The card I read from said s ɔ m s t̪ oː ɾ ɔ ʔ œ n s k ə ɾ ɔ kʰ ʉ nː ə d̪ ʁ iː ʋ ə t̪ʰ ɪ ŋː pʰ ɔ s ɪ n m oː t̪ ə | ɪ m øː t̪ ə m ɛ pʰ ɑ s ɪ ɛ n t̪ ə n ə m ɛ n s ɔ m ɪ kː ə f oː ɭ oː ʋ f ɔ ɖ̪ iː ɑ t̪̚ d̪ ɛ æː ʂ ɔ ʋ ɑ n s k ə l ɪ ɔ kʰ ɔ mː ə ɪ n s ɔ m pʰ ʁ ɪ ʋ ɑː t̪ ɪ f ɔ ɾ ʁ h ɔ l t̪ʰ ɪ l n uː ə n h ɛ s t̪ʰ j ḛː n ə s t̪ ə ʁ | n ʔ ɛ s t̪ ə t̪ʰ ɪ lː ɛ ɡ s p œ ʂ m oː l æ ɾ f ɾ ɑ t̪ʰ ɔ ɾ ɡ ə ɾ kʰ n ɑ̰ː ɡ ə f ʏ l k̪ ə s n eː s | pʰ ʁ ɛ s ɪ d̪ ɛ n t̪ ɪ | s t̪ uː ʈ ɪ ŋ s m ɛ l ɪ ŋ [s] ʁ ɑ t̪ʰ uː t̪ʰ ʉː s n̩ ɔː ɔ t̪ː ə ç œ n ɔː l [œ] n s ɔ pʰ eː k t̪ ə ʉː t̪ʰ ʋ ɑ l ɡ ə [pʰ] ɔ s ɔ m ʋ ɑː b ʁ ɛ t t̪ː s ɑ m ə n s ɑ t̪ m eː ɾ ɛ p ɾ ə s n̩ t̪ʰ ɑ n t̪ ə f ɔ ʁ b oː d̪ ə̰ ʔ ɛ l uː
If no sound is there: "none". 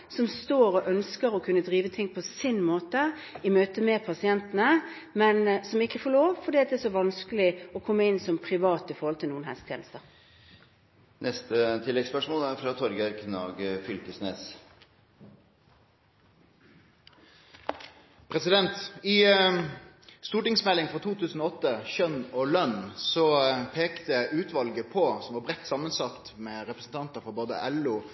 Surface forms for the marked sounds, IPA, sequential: f, œ, pʰ

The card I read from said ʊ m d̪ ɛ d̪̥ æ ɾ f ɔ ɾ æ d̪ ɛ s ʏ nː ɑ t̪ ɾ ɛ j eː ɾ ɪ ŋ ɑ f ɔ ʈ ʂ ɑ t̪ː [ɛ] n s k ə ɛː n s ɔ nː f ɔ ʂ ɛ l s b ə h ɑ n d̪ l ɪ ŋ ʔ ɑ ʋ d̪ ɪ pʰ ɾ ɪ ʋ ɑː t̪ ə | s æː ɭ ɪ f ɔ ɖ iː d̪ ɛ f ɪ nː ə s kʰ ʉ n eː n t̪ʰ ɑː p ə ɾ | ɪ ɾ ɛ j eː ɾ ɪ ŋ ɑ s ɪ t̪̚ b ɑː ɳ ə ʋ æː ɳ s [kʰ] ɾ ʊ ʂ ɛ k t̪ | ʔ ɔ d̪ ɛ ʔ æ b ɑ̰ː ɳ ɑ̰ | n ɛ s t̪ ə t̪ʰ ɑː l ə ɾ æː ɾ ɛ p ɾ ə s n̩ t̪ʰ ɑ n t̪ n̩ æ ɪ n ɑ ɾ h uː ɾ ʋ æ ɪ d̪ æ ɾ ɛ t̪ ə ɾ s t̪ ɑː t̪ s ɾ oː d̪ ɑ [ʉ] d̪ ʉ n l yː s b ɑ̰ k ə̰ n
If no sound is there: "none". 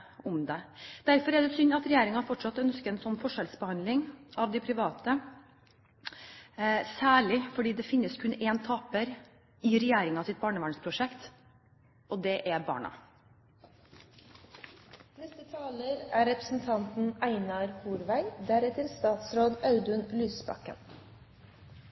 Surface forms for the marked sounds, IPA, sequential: œ, pʰ, ʉ

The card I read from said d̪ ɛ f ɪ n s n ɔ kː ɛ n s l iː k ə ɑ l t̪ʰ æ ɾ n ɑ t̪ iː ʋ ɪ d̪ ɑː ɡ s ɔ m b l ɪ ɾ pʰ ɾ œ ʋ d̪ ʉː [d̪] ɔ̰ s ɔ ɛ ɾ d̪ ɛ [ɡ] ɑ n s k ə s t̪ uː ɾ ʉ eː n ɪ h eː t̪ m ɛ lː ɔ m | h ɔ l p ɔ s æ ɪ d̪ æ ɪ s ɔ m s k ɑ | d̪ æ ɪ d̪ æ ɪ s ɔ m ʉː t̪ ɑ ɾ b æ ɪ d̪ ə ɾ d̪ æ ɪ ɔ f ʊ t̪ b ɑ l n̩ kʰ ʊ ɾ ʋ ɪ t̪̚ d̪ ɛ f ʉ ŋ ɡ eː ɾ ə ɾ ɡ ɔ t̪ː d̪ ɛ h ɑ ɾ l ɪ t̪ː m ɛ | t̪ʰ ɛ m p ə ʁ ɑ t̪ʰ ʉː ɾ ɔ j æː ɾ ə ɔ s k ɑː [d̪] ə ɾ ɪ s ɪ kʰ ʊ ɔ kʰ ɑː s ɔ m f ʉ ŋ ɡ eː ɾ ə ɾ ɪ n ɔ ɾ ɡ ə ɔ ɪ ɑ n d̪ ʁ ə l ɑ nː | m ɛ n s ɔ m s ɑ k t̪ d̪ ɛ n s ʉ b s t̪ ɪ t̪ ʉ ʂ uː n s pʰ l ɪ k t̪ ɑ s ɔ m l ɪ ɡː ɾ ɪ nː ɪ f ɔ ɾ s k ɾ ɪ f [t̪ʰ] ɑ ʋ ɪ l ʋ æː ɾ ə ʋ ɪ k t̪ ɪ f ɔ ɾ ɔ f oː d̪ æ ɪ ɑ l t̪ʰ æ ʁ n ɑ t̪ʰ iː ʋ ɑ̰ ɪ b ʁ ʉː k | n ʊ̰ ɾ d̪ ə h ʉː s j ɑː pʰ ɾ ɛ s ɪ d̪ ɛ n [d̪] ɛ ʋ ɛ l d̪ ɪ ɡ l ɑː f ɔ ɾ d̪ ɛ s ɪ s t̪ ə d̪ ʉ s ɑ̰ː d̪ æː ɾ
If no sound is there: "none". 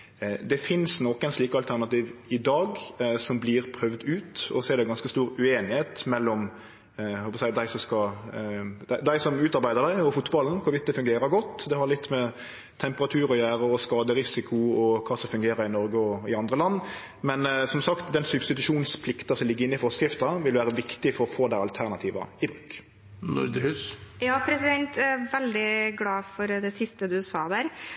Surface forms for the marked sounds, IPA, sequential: t̪, ɡ, d̪, t̪, t̪

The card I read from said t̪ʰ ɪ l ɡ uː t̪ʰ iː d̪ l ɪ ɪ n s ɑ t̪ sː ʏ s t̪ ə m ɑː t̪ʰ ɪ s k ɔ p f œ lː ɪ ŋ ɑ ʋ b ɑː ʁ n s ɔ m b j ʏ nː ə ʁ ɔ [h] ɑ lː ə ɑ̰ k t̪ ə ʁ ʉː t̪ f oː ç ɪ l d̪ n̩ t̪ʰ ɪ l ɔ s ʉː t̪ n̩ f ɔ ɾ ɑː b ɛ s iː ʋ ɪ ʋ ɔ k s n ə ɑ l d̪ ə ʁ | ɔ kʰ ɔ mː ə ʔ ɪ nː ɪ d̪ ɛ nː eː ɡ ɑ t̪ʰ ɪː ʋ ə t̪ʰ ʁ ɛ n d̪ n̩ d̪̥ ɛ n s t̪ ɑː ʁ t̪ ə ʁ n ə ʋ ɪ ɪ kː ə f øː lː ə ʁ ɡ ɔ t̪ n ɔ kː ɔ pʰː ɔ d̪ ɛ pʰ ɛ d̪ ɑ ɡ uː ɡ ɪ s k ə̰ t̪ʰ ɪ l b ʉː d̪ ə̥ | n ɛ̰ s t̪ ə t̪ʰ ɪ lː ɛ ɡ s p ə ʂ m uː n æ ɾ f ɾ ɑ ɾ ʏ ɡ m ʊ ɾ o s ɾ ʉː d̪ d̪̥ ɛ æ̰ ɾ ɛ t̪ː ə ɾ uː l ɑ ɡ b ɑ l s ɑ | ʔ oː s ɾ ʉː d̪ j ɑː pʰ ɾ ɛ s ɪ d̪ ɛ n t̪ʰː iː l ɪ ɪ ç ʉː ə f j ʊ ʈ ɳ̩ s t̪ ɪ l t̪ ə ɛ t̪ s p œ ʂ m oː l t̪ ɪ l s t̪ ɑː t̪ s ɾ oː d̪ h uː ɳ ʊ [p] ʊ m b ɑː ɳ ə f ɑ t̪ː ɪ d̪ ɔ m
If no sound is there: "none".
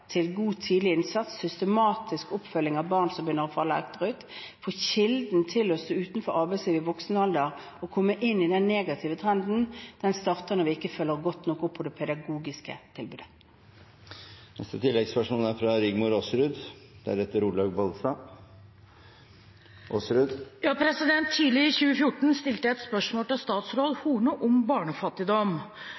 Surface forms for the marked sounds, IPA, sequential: f, ʔ

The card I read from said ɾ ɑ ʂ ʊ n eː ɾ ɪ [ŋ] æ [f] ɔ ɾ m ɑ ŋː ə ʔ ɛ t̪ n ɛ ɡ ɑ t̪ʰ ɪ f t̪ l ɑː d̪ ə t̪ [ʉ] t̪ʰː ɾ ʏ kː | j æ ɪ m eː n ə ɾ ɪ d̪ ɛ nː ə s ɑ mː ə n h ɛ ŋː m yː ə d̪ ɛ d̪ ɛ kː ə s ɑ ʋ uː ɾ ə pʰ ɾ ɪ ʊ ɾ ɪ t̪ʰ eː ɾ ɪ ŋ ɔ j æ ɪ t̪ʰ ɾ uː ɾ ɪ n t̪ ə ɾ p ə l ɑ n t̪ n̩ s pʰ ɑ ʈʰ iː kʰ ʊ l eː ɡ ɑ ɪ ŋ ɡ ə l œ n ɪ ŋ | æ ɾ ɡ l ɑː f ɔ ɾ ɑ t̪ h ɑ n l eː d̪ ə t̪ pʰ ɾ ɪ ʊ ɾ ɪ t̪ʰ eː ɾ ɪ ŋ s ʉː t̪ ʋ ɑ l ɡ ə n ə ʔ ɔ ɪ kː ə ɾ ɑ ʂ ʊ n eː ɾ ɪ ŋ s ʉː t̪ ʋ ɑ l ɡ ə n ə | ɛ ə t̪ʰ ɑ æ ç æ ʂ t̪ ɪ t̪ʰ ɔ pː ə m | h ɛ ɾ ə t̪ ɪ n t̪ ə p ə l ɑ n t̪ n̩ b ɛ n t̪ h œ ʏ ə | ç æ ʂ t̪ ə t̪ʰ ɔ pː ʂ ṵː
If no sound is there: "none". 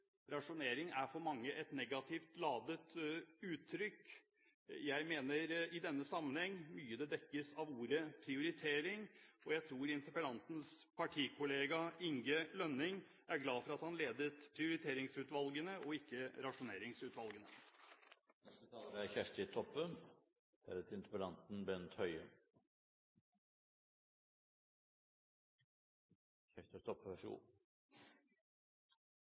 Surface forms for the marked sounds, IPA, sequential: ŋ, f, ʉː

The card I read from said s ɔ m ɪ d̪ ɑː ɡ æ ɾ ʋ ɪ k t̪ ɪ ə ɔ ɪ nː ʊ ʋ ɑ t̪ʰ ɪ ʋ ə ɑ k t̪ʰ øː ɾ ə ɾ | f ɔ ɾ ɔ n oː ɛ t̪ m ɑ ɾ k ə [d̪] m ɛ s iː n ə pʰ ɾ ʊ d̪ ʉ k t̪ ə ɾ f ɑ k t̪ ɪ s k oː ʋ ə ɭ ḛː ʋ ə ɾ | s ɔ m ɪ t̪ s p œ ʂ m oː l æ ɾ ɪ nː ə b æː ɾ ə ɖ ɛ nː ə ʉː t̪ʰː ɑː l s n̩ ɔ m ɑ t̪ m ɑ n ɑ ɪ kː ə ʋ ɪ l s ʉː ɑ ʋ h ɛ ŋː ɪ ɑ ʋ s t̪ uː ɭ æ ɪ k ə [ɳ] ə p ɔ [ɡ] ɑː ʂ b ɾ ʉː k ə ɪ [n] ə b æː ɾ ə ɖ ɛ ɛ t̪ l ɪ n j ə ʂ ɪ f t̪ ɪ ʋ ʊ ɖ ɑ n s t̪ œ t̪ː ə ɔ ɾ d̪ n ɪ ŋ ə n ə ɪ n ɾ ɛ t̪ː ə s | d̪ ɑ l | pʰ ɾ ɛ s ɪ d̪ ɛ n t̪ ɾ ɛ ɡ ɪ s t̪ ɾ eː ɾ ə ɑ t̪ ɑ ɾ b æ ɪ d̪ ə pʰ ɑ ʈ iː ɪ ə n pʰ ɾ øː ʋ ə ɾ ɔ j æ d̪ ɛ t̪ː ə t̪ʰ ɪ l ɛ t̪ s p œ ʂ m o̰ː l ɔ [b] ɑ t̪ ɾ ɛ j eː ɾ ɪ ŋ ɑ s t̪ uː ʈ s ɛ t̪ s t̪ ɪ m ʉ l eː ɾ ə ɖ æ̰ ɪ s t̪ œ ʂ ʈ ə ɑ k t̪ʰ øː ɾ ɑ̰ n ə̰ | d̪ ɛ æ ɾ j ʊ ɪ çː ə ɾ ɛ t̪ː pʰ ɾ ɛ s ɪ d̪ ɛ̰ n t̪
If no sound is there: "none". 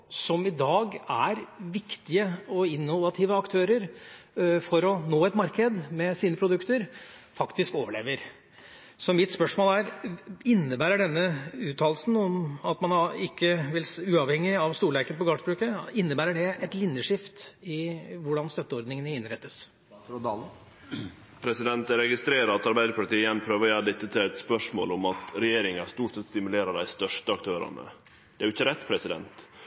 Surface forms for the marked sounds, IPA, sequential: d̪, n, ɡ, nː, m

